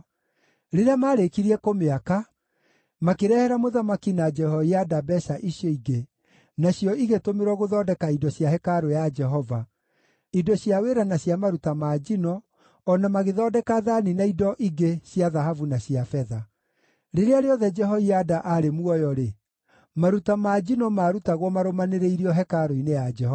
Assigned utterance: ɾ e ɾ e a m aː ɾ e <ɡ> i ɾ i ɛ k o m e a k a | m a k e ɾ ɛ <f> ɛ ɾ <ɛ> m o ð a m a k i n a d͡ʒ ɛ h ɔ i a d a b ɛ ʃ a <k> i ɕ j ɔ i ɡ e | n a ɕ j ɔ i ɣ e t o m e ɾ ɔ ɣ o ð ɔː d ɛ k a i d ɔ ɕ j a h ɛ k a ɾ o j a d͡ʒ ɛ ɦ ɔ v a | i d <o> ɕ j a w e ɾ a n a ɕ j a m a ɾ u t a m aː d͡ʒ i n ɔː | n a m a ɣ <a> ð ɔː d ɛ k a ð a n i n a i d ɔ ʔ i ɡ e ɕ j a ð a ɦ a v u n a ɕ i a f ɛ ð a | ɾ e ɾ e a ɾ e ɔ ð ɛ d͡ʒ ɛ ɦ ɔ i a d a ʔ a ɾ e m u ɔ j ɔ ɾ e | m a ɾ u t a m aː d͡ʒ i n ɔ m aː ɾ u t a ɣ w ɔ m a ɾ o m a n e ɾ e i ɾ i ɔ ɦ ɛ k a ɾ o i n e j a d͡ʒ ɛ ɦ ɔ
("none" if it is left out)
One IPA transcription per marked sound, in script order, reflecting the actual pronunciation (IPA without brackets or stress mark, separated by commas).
k, h, a, ʔ, ɔ, e